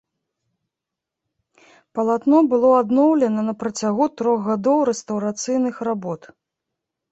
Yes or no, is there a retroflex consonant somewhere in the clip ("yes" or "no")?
no